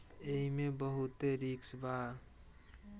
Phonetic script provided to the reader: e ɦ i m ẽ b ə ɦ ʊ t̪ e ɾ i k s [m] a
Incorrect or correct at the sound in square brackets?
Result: incorrect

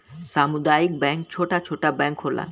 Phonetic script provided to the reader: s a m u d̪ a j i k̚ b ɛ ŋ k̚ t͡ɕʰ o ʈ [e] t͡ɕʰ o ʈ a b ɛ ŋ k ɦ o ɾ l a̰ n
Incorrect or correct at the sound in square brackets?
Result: incorrect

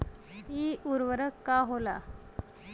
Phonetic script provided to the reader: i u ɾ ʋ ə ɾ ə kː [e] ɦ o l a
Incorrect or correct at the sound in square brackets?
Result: incorrect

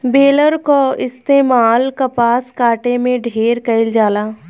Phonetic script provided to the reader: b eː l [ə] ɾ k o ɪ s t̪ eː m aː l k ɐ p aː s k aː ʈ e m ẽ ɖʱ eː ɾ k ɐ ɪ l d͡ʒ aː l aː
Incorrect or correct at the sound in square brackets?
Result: correct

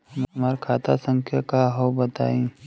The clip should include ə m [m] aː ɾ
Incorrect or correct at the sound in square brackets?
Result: correct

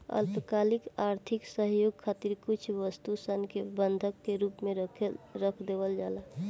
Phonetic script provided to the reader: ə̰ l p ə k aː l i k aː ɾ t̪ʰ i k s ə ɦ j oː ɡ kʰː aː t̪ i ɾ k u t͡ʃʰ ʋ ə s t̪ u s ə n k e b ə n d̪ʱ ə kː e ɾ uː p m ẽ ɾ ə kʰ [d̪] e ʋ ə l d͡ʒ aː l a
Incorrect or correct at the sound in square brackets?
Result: correct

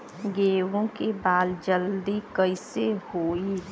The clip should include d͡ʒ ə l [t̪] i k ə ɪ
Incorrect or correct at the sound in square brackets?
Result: incorrect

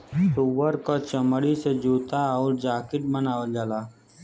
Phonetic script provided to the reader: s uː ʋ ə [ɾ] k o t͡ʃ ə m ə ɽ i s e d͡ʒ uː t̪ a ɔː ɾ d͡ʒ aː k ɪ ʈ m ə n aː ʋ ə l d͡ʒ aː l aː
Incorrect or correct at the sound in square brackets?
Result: correct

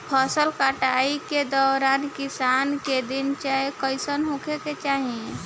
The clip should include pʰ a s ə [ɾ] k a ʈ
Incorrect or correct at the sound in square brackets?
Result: incorrect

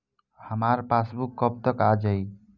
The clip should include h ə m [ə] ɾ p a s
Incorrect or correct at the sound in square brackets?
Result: incorrect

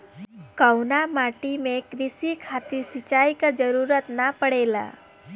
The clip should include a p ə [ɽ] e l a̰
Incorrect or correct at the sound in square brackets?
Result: correct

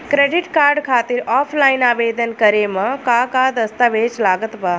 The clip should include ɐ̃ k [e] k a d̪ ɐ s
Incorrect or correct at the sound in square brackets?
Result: incorrect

